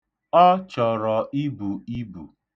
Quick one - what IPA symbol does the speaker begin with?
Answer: ɔ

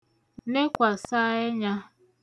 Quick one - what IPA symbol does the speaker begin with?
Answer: n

